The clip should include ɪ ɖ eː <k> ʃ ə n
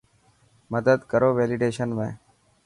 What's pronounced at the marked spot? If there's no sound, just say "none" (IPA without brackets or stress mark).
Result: none